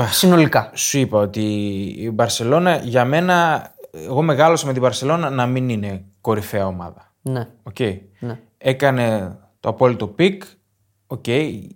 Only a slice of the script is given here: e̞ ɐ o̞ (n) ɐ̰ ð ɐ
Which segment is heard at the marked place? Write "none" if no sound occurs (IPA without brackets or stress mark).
m